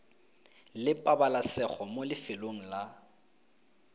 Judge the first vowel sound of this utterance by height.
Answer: high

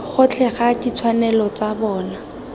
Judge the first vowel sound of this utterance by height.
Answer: high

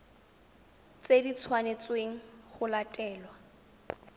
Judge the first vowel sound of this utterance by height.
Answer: mid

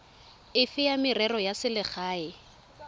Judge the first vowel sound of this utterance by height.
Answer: high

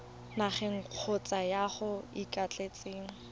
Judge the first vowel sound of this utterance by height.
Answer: low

